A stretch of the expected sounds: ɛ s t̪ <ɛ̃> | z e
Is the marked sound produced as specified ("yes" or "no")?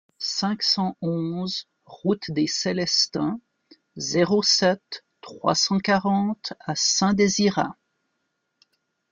yes